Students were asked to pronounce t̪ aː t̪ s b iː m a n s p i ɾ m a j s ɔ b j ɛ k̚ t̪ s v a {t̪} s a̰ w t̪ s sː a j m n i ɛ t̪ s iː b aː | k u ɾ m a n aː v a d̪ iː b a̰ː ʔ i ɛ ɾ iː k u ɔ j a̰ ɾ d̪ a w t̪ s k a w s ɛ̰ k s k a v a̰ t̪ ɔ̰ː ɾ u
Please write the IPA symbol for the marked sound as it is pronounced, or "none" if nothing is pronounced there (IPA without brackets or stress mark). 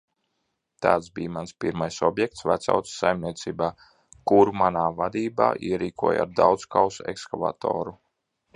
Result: t̪